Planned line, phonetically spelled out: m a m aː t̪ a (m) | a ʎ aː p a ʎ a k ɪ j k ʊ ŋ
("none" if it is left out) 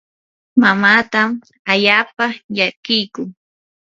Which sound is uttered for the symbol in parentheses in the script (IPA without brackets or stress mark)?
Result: m